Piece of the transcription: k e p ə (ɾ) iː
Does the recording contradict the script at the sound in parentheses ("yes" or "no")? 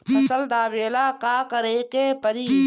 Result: no